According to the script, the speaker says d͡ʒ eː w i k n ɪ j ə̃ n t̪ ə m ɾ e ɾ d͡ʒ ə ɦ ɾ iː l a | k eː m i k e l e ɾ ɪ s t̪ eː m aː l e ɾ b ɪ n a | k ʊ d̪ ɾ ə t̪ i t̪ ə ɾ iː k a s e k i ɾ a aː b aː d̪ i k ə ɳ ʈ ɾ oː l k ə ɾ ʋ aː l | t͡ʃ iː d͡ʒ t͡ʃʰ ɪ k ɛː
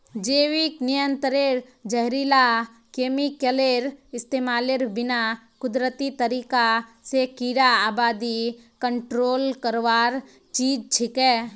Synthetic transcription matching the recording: d͡ʒ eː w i k n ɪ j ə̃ n t̪ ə ɾ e ɾ d͡ʒ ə ɦ ɾ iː l a | k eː m i k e l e ɾ ɪ s t̪ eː m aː l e ɾ b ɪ n a | k ʊ d̪ ɾ ə t̪ i t̪ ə ɾ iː k a s e k i ɾ a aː b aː d̪ i k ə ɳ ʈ ɾ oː l k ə ɾ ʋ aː ɾ | t͡ʃ iː d͡ʒ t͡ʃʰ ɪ k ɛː